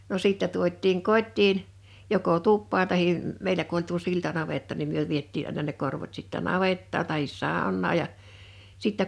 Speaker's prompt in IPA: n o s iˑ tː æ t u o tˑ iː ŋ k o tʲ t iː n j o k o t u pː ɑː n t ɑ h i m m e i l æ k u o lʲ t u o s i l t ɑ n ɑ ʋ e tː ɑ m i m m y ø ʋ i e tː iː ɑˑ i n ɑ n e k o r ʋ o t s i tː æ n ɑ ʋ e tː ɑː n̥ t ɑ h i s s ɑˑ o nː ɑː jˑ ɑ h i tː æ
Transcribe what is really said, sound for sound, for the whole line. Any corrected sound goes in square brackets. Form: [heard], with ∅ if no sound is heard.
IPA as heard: n o s iˑ tː æ t u o tˑ iː ŋ k o tʲ t iː n j o k o t u pː ɑː n t ɑ h i m m e i l æ k u o lʲ t u o s i l t ɑ n ɑ ʋ e tː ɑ [n] i m m y ø ʋ i e tː iː ɑˑ i n ɑ n e k o r ʋ o t s i tː æ n ɑ ʋ e tː ɑː n̥ t ɑ h i s s ɑˑ o nː ɑː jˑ ɑ [s] i tː æ